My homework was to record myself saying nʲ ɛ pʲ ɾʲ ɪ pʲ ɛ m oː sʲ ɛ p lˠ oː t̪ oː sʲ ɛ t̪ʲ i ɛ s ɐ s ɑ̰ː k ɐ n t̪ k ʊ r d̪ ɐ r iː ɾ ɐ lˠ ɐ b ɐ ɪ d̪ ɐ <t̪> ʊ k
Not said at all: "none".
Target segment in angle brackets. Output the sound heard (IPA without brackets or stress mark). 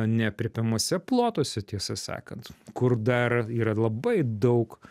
none